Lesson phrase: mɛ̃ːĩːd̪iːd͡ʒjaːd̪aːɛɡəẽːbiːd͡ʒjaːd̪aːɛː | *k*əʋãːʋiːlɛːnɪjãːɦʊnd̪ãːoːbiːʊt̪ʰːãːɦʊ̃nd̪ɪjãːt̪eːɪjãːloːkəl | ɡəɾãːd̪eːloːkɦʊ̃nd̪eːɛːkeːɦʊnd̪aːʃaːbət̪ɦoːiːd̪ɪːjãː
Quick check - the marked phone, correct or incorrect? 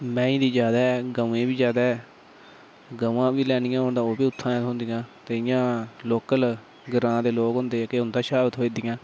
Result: incorrect